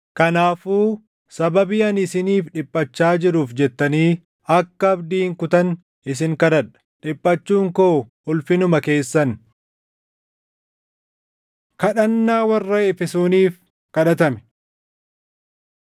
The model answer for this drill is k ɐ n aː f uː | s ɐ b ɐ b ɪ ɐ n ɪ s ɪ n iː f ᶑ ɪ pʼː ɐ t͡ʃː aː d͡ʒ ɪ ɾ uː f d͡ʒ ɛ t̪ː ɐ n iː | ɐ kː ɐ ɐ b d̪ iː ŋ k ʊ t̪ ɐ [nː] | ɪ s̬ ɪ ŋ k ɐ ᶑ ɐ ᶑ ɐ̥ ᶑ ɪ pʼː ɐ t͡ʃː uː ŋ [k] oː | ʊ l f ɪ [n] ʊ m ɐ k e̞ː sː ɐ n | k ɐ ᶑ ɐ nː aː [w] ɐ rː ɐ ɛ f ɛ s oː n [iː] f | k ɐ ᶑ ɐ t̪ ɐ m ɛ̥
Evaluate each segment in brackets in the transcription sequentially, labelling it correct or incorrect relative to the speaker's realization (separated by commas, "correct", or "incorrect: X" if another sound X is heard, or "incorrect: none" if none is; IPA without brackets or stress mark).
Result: incorrect: n, correct, correct, correct, correct